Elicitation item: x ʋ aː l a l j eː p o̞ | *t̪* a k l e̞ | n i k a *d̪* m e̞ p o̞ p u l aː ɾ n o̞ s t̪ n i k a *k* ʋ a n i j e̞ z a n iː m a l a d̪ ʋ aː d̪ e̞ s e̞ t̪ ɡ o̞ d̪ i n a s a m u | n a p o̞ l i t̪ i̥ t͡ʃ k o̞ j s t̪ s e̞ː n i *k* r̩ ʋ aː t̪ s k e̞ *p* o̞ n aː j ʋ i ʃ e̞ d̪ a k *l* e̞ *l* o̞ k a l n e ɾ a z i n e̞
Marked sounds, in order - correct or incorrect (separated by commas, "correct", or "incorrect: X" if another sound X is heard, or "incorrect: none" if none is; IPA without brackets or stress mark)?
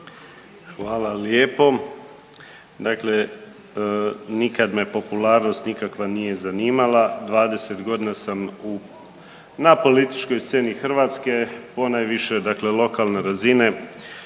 incorrect: d̪, correct, correct, incorrect: x, correct, correct, correct